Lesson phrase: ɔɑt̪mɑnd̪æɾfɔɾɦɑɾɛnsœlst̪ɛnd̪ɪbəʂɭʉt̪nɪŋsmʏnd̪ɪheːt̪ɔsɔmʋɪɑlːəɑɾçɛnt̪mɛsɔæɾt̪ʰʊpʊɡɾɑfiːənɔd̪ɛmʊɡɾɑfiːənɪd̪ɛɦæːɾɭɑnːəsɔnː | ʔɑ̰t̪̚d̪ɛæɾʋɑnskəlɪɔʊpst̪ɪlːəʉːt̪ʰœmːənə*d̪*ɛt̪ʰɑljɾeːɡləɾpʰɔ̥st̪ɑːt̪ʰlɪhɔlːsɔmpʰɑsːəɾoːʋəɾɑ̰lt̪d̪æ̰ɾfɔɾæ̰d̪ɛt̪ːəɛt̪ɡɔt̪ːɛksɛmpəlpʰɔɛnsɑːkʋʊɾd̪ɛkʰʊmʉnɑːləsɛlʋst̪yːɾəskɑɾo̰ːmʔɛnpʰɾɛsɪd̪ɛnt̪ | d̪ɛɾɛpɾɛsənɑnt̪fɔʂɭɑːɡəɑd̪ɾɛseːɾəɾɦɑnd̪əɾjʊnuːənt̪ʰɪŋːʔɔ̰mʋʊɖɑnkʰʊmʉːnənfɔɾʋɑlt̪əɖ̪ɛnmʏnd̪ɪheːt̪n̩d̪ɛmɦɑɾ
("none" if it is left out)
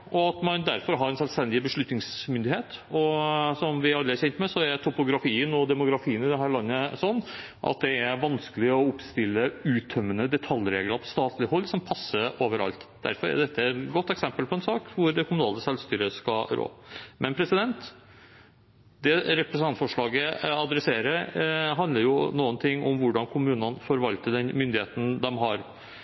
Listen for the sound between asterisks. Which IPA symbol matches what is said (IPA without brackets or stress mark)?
d̪